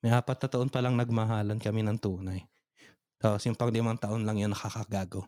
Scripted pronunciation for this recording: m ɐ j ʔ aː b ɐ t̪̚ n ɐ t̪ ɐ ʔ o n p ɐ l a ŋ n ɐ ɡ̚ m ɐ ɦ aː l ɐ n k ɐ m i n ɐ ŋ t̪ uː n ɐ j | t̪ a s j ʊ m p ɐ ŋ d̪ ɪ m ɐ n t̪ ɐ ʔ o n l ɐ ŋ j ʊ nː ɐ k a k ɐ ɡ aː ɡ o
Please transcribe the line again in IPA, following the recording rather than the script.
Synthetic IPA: m ɐ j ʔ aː p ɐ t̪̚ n ɐ t̪ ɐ ʔ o n p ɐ l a ŋ n ɐ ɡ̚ m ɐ ɦ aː l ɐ n k ɐ m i n ɐ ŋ t̪ uː n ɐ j | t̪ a s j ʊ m p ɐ ŋ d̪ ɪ m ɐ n t̪ ɐ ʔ o n l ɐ ŋ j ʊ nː ɐ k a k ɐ ɡ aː ɡ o